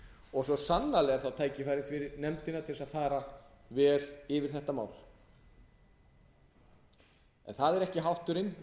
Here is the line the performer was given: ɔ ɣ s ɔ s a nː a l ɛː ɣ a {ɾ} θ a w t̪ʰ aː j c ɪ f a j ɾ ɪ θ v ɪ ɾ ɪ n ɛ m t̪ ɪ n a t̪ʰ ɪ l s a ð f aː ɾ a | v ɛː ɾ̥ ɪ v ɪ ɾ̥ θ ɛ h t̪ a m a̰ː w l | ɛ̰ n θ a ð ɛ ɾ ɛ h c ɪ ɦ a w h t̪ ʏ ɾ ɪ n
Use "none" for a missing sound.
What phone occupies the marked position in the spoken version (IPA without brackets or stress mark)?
ɾ